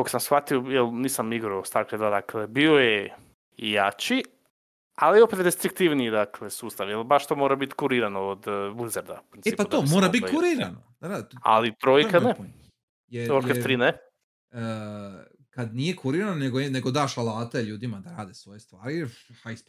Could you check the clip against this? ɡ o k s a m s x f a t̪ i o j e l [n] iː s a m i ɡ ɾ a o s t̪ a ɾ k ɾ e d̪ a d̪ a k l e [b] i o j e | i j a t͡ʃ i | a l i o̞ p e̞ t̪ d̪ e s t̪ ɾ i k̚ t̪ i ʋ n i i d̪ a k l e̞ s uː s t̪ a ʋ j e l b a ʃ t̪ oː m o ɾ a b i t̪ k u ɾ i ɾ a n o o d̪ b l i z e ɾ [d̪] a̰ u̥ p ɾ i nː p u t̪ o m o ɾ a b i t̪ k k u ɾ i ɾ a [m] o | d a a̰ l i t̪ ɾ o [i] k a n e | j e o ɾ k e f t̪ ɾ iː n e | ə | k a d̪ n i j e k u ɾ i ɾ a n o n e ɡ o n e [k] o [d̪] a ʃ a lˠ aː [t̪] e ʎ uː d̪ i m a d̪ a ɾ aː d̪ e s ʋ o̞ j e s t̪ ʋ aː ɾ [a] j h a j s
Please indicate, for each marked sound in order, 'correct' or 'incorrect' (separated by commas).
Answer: correct, correct, correct, incorrect, incorrect, incorrect, correct, correct, incorrect